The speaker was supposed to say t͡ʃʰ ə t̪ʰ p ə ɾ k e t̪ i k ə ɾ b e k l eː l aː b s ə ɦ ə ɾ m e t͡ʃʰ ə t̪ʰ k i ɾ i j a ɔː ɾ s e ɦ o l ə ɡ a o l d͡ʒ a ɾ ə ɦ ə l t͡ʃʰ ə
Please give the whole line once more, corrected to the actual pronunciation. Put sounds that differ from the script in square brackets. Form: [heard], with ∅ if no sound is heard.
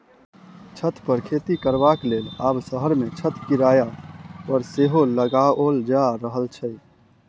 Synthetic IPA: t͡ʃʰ ə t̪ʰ p ə ɾ [kʰ] e t̪ i k ə ɾ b [a] k l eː l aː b s ə ɦ ə ɾ m e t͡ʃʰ ə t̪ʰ k i ɾ [a] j a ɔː ɾ s e ɦ o l ə ɡ a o l d͡ʒ a ɾ ə ɦ ə l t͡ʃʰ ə